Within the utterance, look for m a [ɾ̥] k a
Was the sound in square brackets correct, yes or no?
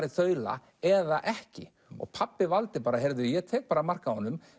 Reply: no